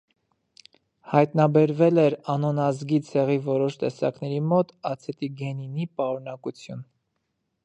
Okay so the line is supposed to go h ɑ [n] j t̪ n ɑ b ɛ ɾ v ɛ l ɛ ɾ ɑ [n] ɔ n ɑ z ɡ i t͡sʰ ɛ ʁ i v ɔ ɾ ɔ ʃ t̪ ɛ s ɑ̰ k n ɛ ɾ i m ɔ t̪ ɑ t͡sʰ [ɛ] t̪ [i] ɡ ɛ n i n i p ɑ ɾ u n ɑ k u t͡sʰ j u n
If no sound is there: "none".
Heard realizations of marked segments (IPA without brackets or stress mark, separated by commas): none, n, ɛ, i